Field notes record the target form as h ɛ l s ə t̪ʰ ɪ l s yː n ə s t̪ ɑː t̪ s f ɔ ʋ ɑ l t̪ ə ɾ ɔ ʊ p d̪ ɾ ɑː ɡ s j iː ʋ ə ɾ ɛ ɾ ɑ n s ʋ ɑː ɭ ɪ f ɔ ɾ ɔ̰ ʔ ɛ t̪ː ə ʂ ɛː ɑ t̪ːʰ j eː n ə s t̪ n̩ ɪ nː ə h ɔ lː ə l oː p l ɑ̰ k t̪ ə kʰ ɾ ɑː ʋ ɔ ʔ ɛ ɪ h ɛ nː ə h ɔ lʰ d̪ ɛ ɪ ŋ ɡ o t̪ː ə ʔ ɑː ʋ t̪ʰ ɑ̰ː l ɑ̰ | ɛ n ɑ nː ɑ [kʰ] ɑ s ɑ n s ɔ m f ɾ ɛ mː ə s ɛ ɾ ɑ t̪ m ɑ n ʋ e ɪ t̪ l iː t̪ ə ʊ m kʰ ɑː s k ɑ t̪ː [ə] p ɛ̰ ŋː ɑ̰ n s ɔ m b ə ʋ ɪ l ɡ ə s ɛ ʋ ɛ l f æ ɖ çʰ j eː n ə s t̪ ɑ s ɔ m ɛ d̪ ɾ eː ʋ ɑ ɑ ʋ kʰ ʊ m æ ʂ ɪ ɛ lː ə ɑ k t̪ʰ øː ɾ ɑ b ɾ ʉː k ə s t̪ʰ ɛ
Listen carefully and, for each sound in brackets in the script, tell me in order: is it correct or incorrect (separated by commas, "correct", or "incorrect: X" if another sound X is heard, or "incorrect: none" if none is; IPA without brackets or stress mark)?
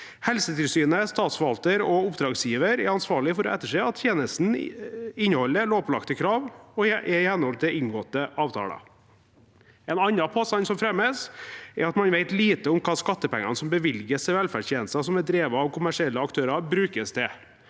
incorrect: pʰ, correct